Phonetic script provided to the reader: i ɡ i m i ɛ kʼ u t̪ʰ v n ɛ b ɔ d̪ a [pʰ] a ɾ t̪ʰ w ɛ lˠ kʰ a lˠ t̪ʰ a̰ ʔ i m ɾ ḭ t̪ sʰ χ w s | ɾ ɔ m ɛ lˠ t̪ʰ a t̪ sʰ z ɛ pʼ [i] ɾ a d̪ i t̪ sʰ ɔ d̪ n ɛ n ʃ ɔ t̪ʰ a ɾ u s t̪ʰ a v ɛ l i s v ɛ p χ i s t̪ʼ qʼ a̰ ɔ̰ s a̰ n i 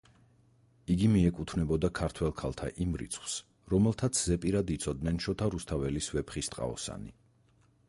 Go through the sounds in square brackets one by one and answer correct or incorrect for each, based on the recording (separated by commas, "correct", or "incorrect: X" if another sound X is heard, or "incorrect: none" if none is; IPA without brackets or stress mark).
incorrect: kʰ, correct